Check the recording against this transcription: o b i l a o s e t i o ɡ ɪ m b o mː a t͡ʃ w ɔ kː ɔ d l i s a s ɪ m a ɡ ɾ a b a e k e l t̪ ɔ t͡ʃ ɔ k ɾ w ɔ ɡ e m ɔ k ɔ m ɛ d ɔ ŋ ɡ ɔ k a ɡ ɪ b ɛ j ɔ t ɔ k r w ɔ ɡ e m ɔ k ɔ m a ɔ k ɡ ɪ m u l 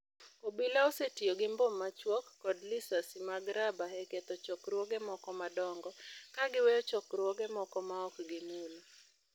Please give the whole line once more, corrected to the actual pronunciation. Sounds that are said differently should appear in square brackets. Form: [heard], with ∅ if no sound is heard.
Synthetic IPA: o b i l a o s e t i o ɡ ɪ m b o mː a t͡ʃ w ɔ kː ɔ d l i s a s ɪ m a ɡ ɾ a b a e k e [∅] t̪ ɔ t͡ʃ ɔ k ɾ w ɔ ɡ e m ɔ k ɔ m [a] d ɔ ŋ ɡ ɔ k a ɡ ɪ [w] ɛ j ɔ [t͡ʃ] ɔ k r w ɔ ɡ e m ɔ k ɔ m a ɔ k ɡ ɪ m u l